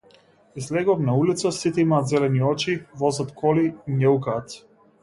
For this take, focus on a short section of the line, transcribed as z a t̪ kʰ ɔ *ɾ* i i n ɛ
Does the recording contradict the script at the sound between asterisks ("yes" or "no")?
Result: yes